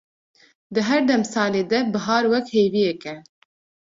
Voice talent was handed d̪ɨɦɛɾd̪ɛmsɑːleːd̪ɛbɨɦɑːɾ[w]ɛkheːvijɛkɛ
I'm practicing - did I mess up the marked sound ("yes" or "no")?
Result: no